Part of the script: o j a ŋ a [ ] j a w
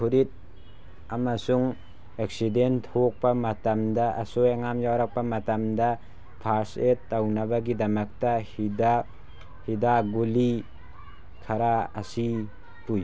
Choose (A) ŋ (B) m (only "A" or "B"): B